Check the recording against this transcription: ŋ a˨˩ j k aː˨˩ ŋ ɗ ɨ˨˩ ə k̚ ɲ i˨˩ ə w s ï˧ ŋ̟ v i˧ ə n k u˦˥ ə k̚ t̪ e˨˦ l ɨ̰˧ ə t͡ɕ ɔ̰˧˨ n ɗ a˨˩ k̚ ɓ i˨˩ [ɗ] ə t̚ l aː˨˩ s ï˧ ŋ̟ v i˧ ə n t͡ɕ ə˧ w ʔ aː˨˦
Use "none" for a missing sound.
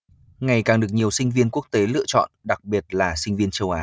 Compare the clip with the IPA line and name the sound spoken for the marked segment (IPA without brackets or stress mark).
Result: none